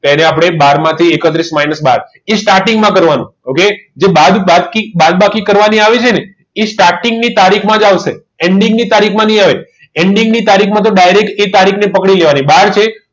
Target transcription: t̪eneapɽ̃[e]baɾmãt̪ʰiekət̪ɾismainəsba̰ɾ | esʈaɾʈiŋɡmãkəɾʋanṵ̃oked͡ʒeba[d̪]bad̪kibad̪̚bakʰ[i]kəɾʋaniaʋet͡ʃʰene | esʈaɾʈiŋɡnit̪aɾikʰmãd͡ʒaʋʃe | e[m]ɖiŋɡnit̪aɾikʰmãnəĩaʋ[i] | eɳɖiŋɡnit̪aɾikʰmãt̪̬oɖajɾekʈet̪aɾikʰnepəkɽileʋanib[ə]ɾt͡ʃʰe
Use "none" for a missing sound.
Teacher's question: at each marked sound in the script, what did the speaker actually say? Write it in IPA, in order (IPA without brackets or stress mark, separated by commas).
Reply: e, d̪, i, ɳ, e, a